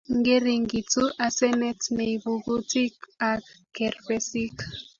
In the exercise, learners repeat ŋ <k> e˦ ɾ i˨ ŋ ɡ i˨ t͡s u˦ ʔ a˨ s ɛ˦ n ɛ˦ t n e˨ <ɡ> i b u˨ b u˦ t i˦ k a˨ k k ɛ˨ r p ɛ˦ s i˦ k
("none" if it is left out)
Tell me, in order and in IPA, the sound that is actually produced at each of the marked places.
ɡ, none

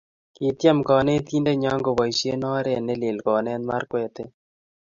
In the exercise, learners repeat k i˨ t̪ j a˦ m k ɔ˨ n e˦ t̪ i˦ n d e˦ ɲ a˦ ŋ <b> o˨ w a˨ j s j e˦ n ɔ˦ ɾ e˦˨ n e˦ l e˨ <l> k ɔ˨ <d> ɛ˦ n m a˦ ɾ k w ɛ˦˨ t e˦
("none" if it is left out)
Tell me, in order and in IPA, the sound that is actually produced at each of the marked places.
ɡ, l, n

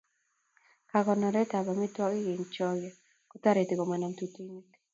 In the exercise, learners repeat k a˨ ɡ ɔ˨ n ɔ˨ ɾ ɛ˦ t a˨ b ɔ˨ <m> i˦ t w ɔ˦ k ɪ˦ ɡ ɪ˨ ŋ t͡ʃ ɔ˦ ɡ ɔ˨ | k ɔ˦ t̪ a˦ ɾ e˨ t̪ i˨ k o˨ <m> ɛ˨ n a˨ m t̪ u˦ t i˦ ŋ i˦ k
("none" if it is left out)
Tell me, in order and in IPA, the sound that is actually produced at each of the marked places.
m, m

